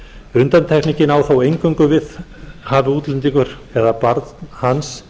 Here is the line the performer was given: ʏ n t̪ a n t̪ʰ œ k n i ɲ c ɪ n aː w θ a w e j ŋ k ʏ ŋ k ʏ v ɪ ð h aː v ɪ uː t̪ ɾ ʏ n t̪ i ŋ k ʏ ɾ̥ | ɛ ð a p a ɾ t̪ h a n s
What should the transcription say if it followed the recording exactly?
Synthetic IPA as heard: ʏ n t̪ a n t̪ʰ ɛ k n i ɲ c ɪ n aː w θ a w e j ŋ k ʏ ŋ k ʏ v ɪ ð h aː v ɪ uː t̪ l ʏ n t̪ i ŋ k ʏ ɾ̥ | ɛ ð a p a ɾ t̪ h a n s